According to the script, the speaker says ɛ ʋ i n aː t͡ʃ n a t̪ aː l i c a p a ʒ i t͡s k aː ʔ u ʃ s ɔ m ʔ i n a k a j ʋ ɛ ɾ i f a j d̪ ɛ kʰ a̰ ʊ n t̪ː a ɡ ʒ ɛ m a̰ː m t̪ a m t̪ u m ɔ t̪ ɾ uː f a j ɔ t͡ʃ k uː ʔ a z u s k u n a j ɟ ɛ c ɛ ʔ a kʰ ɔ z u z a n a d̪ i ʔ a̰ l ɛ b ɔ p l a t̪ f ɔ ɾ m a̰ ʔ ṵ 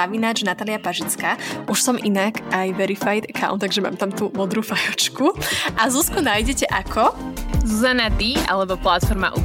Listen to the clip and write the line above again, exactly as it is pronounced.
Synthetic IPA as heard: a ʋ i n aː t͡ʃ n a t̪ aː l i a p a ʒ i t͡s k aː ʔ u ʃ s ɔ m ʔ i n a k a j ʋ ɛ ɾ i f a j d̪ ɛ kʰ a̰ ʊ n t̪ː a ɡ ʒ ɛ m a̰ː m t̪ a m t̪ u m ɔ d̪ ɾ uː f a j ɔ t͡ʃ k u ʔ a z u s k u n a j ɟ ɛ c ɛ ʔ a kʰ ɔ z u z a n a d̪ i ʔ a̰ l ɛ b ɔ p l a t̪ f ɔ ɾ m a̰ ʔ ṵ